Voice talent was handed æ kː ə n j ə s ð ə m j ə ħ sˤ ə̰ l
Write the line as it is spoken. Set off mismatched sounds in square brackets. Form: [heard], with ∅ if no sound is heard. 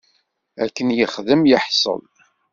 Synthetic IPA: æ kː ə n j ə [χ] ð ə m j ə ħ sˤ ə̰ l